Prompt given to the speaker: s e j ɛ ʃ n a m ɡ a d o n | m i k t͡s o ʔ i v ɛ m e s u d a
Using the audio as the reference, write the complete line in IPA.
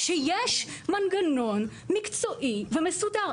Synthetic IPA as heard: ʃ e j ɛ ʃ m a n ɡ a n o n | m i k t͡s o ʔ i v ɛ m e s u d a